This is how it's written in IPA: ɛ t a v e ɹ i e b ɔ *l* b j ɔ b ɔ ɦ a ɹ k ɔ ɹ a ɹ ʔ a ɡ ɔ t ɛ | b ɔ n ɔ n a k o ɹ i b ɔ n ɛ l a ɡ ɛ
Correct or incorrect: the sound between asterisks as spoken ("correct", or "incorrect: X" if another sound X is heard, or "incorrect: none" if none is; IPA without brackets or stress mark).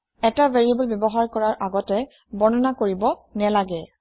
correct